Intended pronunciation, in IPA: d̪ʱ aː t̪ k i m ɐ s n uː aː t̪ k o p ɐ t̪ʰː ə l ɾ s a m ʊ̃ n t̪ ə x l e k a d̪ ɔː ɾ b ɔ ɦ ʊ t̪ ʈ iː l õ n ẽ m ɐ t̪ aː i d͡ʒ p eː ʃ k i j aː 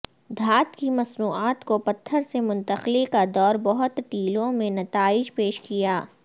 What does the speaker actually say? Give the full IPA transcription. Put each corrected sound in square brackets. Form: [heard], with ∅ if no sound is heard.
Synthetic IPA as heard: d̪ʱ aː t̪ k i m ɐ s n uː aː t̪ k o p ɐ t̪ʰː ə [∅] ɾ s [e] m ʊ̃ n t̪ ə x l e k a d̪ ɔː ɾ b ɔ ɦ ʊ t̪ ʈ iː l õ [m] ẽ [n] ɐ t̪ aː [ɪ] d͡ʒ p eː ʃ k i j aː